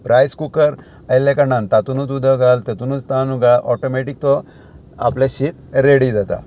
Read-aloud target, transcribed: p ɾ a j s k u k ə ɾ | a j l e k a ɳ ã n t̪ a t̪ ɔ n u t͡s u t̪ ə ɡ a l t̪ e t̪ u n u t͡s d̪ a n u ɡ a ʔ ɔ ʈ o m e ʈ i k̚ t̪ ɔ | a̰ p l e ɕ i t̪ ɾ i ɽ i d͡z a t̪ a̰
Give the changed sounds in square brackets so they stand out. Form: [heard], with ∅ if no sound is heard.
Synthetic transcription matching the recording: p ɾ a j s k u k ə ɾ | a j l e k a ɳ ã n t̪ a t̪ [u] n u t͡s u [d̪] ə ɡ a l t̪ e t̪ u n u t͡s [t̪] a n u ɡ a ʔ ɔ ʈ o m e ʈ i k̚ t̪ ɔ | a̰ p l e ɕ i t̪ ɾ [e] ɽ i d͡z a t̪ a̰